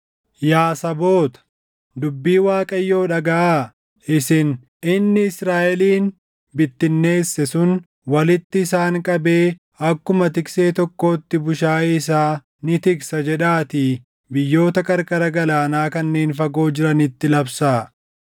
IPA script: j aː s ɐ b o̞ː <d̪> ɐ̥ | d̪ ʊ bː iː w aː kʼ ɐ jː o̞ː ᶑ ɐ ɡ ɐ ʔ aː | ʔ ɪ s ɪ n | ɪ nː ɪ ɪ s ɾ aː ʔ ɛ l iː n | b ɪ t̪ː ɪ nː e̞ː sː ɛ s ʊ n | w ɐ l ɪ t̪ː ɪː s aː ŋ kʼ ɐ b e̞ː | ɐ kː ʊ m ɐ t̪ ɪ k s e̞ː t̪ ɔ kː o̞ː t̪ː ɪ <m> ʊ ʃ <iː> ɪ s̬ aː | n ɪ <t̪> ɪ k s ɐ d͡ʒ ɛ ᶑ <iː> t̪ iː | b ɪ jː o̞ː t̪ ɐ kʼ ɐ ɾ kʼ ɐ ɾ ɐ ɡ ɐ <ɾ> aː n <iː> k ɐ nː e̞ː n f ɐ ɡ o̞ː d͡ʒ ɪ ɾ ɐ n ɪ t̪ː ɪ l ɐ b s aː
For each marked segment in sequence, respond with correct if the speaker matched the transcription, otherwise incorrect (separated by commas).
incorrect, incorrect, incorrect, correct, incorrect, incorrect, incorrect